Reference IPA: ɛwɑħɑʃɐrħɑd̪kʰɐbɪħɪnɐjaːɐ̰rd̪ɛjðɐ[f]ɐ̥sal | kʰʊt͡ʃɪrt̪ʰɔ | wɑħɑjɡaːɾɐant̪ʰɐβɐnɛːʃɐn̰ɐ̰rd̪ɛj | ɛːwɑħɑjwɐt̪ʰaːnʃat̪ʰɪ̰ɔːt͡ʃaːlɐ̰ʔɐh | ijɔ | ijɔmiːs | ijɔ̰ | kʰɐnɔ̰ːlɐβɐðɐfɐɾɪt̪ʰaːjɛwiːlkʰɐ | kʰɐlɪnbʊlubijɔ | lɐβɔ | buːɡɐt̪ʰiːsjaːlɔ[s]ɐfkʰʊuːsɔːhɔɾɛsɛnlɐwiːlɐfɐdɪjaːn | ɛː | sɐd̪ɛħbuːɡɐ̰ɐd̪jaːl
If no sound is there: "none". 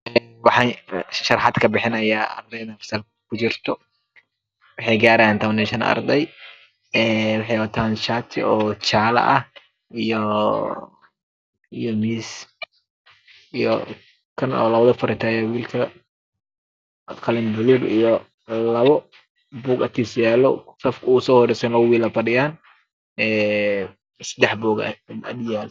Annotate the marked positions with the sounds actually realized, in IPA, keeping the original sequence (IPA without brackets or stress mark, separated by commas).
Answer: f, s